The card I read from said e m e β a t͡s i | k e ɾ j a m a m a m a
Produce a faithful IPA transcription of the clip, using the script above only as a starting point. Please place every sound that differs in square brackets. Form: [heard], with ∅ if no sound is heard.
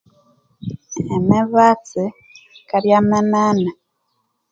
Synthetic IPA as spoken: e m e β a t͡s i | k [a] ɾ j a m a [n] a [n] a